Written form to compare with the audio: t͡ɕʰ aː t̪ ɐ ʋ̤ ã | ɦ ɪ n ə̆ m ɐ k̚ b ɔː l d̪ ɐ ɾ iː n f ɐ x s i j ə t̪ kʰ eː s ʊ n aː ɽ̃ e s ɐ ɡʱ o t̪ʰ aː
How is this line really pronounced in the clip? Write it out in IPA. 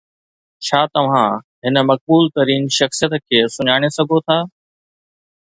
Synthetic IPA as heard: t͡ɕʰ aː t̪ ɐ ʋ̤ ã | ɦ ɪ n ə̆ m ɐ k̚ b uː l t̪ ɐ ɾ iː n ʃ ɐ x s i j ə t̪ kʰ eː s ʊ ɲ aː ɽ̃ e s ɐ ɡʱ o t̪ʰ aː